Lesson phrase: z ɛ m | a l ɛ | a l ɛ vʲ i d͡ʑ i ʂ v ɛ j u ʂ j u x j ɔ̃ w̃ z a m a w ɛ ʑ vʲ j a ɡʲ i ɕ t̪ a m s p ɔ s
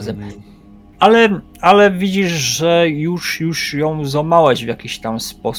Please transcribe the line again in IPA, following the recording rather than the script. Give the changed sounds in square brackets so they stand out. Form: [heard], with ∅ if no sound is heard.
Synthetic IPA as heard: z ɛ m | a l ɛ | a l ɛ vʲ i d͡ʑ i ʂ [ʐ] ɛ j u ʂ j u [ʂ] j ɔ̃ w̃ z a m a w ɛ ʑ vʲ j a [kʲ] i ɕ t̪ a m s p ɔ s